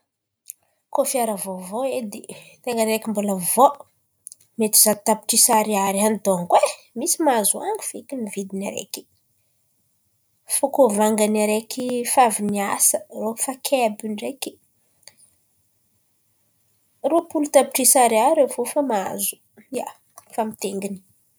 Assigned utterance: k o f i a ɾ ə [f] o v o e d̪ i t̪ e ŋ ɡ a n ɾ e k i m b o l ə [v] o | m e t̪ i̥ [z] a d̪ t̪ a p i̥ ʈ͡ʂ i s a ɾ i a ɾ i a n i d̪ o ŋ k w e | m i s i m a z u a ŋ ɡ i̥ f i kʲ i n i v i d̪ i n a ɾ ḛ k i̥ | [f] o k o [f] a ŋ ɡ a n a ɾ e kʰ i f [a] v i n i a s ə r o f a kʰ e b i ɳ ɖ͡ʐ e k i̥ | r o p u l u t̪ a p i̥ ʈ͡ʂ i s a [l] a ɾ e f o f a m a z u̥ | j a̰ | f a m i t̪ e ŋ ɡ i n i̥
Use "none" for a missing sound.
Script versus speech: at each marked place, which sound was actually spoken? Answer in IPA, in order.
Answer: v, v, z, f, v, a, ɾ

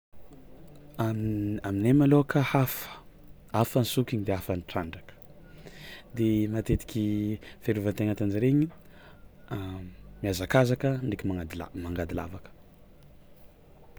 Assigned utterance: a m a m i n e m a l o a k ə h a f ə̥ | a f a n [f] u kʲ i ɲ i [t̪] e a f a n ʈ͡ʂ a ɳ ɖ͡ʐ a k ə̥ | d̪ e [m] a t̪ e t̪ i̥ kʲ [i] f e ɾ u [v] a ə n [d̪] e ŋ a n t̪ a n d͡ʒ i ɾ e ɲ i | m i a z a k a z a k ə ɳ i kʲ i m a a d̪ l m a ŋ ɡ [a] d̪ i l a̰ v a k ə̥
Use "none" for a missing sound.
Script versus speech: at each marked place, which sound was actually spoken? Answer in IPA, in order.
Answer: s, d̪, m, i, v, t̪, a

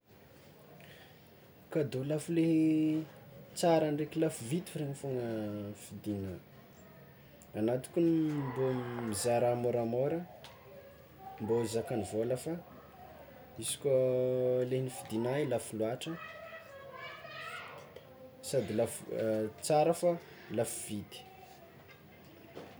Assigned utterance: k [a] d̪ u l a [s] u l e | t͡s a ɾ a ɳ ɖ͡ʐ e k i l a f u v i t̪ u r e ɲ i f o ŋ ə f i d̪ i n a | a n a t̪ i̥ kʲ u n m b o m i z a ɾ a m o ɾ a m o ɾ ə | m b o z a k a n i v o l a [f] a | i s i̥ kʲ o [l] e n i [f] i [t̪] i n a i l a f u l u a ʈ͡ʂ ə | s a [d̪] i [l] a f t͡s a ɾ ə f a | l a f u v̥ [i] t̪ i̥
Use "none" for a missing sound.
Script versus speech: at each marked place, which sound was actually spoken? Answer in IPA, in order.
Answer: a, f, f, l, f, d̪, d̪, l, i

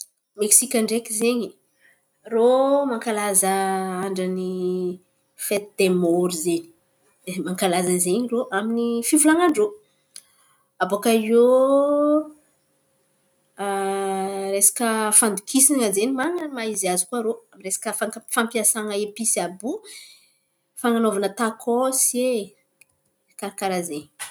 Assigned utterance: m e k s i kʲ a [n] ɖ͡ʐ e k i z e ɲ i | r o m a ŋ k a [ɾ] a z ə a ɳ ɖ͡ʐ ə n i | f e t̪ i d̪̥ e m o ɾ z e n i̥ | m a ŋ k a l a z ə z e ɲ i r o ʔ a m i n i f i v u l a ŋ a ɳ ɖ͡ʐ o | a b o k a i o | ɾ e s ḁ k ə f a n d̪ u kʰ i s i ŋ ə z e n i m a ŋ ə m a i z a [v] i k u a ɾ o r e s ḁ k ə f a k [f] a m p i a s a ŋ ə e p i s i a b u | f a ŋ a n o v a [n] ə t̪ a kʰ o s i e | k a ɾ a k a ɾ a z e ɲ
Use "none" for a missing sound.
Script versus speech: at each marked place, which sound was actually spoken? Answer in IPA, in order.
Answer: ɳ, l, z, f, n

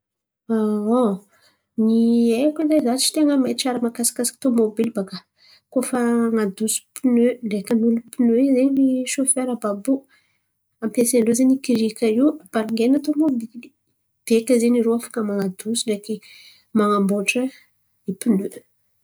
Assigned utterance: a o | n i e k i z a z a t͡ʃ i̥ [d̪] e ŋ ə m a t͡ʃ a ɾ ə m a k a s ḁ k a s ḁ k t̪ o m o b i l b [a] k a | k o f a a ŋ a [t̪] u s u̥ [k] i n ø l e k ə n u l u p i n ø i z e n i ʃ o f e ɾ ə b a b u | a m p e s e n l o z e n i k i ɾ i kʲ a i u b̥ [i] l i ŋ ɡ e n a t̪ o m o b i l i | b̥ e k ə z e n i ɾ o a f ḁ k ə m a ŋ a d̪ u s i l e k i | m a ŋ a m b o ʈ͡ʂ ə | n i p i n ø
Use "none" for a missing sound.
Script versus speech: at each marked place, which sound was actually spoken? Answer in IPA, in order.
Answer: t̪, a, d̪, p, a

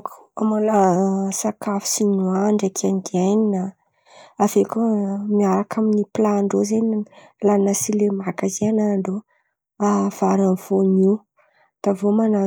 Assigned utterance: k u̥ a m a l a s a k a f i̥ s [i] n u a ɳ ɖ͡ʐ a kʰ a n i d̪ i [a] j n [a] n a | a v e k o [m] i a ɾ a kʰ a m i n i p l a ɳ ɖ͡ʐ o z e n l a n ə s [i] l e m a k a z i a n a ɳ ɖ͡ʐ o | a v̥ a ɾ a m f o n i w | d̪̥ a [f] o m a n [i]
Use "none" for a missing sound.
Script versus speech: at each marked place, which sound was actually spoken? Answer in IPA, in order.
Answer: i, a, i, m, i, v, a

